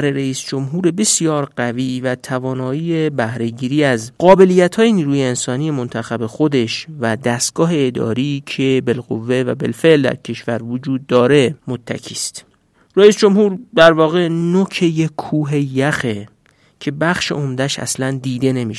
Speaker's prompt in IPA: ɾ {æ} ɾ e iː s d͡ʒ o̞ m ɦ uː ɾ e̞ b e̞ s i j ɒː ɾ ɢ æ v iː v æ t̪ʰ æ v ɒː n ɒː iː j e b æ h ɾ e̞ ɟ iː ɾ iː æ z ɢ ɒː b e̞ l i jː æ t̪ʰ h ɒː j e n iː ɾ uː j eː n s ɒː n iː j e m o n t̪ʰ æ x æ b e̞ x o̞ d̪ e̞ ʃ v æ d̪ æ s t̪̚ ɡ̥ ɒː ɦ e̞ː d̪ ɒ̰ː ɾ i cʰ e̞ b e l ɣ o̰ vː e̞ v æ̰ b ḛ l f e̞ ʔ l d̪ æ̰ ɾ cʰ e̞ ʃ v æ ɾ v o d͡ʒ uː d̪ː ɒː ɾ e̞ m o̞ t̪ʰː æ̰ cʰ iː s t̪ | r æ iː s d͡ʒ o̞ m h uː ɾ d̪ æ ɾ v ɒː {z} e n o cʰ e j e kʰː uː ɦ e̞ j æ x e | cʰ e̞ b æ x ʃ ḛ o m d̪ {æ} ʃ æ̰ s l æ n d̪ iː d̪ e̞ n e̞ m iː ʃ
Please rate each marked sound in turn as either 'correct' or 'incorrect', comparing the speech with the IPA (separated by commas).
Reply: incorrect, incorrect, correct